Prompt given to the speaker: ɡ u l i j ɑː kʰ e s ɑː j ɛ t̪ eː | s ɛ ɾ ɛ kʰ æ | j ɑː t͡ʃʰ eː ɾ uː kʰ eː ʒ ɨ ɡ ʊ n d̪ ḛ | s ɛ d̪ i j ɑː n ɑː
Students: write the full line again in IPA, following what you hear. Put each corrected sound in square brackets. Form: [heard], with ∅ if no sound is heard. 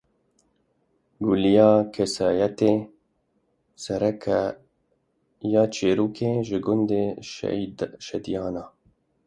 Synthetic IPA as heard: ɡ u l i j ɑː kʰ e s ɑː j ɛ t̪ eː | s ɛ ɾ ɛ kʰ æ | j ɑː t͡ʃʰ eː ɾ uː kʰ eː ʒ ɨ ɡ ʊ n d̪ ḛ | [ʃ] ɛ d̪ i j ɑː n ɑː

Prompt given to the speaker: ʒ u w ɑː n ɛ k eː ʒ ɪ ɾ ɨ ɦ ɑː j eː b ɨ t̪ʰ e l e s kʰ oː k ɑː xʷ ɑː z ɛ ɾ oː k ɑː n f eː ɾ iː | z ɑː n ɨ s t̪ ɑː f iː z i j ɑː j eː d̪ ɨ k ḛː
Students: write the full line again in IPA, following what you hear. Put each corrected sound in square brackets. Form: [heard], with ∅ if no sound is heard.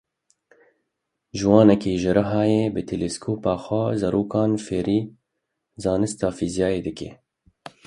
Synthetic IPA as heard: ʒ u w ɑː n ɛ k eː ʒ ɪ ɾ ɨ ɦ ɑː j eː b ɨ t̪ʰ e l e s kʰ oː [p] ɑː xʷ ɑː z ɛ ɾ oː k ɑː n f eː ɾ iː | z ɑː n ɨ s t̪ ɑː f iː z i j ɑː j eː d̪ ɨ k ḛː

